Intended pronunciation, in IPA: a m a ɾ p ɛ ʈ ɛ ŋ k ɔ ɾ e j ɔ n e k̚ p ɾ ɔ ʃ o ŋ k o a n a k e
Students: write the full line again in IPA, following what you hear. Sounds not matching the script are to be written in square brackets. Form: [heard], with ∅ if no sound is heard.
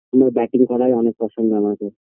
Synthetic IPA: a m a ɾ [b] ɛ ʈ [i] ŋ k ɔ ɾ [a] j ɔ n e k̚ p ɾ ɔ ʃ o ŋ [ɡ] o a [m] a k e